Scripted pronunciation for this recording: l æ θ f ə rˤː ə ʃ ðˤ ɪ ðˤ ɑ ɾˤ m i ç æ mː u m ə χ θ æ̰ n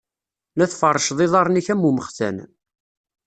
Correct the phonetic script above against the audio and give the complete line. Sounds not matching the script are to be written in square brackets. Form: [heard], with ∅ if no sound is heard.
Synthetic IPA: l æ θ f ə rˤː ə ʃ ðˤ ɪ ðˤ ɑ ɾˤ [n] i ç æ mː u m ə χ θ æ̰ n